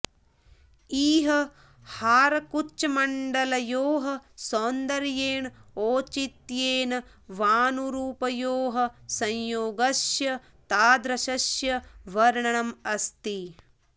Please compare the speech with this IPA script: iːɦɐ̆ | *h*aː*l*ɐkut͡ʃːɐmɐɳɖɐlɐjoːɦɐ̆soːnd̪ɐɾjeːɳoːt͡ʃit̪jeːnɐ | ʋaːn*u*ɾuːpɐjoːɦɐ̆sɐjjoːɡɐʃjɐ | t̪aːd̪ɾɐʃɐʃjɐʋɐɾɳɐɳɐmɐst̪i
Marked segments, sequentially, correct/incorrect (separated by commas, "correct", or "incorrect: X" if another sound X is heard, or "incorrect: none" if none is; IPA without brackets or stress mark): correct, incorrect: ɾ, correct